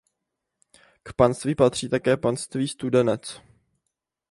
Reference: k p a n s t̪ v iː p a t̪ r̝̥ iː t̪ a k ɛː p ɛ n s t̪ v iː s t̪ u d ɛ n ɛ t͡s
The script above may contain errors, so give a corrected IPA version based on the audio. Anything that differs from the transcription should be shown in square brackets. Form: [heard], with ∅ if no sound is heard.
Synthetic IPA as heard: k p a n s t̪ v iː p a t̪ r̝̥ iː t̪ a k ɛː p [a] n s t̪ v iː s t̪ u d ɛ n ɛ t͡s